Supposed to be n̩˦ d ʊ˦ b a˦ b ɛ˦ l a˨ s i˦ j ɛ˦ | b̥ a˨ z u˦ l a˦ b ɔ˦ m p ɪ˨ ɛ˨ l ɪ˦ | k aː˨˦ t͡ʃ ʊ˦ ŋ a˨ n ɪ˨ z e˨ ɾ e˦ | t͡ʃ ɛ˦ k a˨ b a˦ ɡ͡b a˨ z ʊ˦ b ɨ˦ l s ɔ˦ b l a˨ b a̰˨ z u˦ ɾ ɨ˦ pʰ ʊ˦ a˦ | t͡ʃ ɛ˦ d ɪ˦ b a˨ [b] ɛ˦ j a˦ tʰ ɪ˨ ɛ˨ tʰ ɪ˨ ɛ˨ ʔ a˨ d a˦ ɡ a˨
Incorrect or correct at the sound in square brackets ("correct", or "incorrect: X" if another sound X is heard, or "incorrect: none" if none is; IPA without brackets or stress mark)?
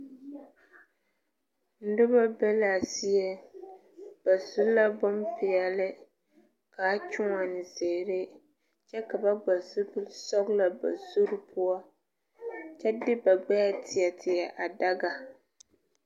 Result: incorrect: ɡ͡b